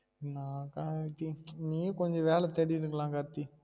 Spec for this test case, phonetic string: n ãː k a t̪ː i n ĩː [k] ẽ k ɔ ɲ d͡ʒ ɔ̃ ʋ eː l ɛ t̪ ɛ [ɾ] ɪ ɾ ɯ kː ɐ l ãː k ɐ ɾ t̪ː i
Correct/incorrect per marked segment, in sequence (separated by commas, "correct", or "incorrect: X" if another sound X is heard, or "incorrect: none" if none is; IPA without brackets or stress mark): incorrect: none, incorrect: ɽ